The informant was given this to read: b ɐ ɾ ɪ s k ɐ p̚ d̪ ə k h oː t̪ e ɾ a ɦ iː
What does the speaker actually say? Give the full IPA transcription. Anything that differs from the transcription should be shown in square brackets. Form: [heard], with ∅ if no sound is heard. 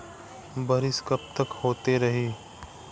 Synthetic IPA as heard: b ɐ ɾ ɪ s k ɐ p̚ [t̪] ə k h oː t̪ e ɾ [ɐ] ɦ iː